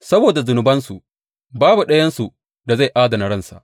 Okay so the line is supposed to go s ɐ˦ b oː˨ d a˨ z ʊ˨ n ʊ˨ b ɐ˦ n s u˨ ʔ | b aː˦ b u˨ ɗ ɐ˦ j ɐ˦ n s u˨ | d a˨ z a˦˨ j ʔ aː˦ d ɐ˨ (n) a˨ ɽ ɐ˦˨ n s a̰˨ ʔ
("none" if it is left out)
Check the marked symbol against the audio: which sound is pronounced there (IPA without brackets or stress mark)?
n